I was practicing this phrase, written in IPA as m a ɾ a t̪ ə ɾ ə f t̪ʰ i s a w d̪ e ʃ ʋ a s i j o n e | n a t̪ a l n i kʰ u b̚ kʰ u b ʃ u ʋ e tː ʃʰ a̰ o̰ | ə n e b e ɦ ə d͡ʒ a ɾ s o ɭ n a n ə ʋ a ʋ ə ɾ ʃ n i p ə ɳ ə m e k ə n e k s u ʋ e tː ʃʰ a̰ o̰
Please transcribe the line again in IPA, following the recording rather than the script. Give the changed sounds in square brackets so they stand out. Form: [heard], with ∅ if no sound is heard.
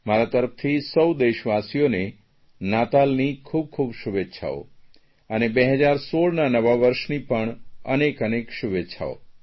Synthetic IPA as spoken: m a ɾ a t̪ ə ɾ ə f t̪ʰ i s [ə] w d̪ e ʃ ʋ a s i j o n e | n a t̪ a l n i kʰ u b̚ kʰ u b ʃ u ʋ e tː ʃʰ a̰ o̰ | ə n e b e ɦ ə d͡ʒ a ɾ s o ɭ n a n ə ʋ a ʋ ə ɾ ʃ n i p ə ɳ ə [n] e k ə n e k [ʃ] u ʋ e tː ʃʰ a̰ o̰